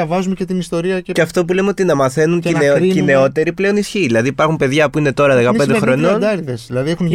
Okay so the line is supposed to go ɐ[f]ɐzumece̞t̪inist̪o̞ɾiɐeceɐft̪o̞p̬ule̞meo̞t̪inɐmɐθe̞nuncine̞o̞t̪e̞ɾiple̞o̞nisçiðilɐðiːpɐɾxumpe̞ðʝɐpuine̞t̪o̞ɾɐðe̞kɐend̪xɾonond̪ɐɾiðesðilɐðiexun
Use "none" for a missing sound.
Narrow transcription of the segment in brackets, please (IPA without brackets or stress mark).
v